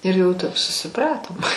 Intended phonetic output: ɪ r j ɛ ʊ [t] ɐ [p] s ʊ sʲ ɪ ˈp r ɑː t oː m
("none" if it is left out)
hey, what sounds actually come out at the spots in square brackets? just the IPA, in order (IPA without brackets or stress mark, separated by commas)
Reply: t, p